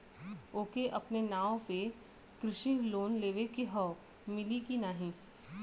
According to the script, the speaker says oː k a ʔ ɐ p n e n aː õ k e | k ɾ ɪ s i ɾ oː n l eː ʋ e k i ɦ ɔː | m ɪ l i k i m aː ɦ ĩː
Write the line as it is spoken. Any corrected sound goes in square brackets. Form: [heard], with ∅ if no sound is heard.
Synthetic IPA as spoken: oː k [e] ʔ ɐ p n e n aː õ [p] e | k ɾ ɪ [ʃ] i [l] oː n l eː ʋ e k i ɦ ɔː | m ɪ l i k i [n] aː ɦ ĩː